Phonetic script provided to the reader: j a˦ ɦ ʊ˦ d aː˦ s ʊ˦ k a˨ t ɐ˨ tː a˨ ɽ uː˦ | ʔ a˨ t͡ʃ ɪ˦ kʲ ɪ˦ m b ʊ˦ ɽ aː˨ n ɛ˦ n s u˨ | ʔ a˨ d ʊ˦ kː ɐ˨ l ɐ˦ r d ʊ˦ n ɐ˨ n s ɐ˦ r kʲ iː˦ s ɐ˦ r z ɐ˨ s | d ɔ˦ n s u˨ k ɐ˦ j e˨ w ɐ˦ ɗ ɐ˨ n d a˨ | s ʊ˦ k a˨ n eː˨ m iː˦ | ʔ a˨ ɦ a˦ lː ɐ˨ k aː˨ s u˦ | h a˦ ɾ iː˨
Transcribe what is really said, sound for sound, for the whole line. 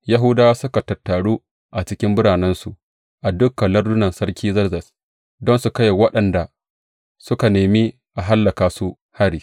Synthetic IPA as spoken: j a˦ ɦ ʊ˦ d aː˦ s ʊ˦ k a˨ t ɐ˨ tː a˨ ɽ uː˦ | ʔ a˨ t͡ʃ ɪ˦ kʲ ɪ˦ m b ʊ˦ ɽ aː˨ n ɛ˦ n s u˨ | ʔ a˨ d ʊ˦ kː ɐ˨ l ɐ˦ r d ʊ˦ n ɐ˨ n s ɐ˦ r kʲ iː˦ z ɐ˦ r z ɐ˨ s | d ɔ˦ n s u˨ k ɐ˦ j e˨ w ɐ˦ ɗ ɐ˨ n d a˨ | s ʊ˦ k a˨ n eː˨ m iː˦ | ʔ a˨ ɦ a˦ lː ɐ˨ k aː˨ s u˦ | h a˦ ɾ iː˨

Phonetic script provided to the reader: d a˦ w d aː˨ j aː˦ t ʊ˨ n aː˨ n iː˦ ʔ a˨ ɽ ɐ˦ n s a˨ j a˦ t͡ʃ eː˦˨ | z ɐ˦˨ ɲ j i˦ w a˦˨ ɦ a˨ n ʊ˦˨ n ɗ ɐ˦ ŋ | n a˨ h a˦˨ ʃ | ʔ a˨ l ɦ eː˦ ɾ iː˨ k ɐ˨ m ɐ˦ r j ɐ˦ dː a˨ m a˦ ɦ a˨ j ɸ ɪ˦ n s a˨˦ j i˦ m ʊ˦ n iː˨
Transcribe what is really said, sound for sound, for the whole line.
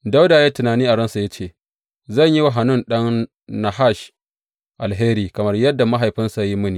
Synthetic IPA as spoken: d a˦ w d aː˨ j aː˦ t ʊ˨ n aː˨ n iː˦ ʔ a˨ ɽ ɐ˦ n s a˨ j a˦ t͡ʃ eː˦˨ | z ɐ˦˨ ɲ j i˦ w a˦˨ ɦ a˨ n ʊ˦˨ n ɗ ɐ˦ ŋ | n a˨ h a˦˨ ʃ | ʔ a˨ l ɦ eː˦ ɾ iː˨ k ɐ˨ m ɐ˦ r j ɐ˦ dː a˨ m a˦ ɦ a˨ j ɸ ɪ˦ n s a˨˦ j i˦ m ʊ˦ n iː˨

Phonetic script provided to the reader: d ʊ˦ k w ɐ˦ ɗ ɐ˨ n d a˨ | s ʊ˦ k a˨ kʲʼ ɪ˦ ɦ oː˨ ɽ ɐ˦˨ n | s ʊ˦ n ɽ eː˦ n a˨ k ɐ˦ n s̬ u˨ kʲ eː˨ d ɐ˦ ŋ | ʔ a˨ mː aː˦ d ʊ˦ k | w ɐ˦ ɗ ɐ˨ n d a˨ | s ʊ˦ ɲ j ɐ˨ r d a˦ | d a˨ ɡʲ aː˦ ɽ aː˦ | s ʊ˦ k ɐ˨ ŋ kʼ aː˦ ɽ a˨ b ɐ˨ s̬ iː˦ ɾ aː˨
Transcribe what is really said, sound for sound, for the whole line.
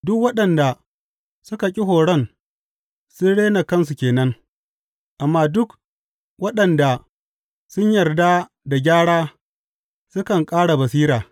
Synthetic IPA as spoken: d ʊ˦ k w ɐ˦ ɗ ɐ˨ n d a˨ | s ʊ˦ k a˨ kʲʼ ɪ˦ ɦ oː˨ ɽ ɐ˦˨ n | s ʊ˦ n ɽ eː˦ n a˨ k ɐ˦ n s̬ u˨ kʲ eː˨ n ɐ˦ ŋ | ʔ a˨ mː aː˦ d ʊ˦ k | w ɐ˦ ɗ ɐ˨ n d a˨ | s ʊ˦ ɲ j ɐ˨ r d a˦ | d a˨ ɡʲ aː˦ ɽ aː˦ | s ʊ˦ k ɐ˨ ŋ kʼ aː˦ ɽ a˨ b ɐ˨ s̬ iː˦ ɾ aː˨

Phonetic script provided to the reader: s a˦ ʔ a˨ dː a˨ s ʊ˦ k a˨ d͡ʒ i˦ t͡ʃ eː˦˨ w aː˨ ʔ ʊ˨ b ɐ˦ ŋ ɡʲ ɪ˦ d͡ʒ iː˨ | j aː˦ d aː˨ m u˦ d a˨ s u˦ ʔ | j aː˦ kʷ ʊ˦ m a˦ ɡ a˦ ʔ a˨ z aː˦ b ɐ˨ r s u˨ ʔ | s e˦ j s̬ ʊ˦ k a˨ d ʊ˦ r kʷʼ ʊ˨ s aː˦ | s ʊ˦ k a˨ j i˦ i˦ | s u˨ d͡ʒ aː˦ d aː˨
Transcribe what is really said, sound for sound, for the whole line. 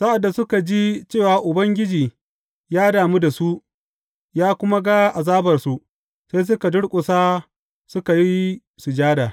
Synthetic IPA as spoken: s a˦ ʔ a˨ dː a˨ s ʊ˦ k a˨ d͡ʒ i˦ t͡ʃ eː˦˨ w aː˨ ʔ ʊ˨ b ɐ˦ ŋ ɡʲ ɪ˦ d͡ʒ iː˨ | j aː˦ d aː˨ m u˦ d a˨ s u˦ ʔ | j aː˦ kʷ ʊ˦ m a˦ ɡ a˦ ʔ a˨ z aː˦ b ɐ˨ r s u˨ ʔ | s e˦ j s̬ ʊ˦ k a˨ d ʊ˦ ɽ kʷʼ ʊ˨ s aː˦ | s ʊ˦ k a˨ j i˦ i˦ | s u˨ d͡ʒ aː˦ d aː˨

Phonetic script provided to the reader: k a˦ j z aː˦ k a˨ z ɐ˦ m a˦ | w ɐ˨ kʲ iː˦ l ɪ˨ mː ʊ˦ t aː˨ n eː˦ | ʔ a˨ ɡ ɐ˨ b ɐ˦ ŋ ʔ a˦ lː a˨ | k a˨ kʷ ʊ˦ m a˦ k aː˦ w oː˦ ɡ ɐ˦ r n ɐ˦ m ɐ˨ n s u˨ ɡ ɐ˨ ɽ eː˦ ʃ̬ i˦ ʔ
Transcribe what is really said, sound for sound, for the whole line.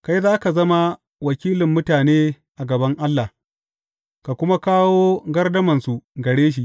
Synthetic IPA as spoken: k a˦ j z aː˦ k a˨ z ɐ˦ m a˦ | w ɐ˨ kʲ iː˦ l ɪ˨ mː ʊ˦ t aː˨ n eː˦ | ʔ a˨ ɡ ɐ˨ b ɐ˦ ŋ ʔ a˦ lː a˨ | k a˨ kʷ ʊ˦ m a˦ k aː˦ w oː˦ ɡ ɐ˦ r d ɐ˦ m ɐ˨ n s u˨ ɡ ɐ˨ ɽ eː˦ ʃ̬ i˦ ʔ

